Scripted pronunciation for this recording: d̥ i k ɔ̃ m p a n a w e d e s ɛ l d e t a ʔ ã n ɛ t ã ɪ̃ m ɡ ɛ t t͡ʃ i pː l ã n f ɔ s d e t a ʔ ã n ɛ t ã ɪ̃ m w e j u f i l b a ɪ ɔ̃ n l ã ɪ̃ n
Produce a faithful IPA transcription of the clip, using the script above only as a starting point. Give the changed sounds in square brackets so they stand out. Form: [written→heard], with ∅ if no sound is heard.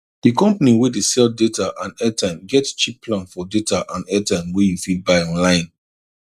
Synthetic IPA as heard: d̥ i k ɔ̃ m p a n [a→i] w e d e s ɛ l d e t a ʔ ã n ɛ t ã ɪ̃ m ɡ ɛ t t͡ʃ i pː l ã n f ɔ [s→∅] d e t a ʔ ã n ɛ t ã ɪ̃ m w e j u f i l b a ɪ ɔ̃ n l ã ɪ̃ n